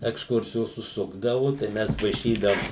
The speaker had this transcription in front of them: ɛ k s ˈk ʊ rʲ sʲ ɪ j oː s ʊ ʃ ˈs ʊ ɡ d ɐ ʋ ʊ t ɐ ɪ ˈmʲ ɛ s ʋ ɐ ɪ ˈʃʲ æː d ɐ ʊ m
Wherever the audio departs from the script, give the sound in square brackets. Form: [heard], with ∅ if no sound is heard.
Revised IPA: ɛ k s ˈk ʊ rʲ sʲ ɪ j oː s ʊ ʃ ˈs ʊ ɡ d ɐ ʋ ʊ t ɐ ɪ ˈmʲ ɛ s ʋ ɐ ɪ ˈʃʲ [iː] d ɐ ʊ m